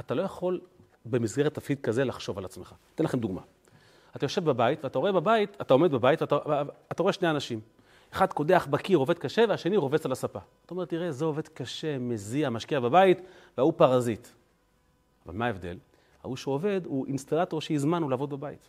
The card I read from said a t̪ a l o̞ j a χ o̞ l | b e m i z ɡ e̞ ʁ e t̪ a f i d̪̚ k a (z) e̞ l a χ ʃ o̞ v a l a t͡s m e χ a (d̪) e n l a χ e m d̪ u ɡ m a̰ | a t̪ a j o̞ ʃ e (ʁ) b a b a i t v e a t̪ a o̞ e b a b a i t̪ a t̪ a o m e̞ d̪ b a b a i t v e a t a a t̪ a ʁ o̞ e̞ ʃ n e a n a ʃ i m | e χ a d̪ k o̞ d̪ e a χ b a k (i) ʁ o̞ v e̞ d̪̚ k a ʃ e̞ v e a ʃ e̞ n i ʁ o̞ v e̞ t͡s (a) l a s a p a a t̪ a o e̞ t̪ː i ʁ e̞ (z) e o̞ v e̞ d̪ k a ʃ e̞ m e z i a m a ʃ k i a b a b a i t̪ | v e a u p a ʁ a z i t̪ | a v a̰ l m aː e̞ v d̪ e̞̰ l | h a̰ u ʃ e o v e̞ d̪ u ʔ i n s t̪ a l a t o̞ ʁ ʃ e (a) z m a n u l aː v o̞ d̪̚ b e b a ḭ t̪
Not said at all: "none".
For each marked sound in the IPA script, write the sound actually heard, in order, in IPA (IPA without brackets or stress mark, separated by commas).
z, t̪, v, i, a, z, i